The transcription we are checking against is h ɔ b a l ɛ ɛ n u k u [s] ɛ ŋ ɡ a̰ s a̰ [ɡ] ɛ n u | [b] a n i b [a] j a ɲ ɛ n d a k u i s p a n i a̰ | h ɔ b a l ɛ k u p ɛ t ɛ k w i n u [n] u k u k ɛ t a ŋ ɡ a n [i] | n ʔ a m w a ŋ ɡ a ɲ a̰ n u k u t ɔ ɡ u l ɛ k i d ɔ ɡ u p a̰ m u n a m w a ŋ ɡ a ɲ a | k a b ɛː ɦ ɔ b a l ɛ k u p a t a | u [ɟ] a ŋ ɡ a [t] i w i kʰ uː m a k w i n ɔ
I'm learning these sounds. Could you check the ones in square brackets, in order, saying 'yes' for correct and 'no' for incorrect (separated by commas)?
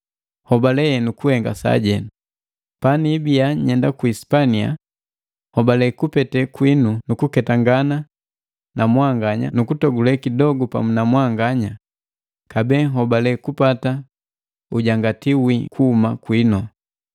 no, no, no, no, yes, no, yes, yes